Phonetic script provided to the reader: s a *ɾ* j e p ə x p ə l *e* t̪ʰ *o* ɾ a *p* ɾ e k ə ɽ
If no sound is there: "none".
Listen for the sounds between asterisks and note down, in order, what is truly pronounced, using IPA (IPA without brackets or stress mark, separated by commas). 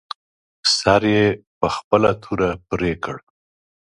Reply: ɾ, a, u, p